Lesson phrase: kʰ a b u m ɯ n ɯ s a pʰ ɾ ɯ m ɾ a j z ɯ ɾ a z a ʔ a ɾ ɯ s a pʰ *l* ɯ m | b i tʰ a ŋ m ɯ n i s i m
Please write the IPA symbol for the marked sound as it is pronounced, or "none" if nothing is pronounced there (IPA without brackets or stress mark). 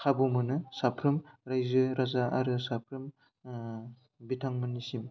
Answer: ɾ